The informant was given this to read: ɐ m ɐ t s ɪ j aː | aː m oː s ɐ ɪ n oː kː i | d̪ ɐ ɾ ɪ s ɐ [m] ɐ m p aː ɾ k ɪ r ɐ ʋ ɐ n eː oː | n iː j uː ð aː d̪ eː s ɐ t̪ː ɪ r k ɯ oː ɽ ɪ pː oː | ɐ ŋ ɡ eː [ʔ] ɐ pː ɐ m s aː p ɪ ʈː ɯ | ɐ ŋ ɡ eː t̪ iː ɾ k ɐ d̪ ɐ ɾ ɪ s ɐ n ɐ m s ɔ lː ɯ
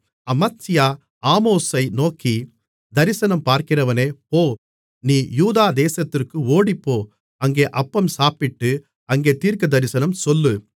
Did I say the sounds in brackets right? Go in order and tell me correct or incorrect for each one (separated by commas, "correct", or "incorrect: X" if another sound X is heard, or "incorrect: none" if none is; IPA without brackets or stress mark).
incorrect: n, correct